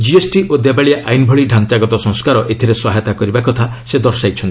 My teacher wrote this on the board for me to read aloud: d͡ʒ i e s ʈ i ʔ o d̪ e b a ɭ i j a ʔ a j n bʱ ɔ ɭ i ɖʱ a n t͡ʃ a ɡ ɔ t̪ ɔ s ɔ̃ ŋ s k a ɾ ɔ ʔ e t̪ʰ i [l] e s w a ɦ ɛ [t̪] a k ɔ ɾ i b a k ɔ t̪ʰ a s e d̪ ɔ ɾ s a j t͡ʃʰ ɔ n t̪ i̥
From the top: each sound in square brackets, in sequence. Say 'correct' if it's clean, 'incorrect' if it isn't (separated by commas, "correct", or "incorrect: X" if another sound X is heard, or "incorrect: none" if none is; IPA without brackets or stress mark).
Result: incorrect: ɾ, correct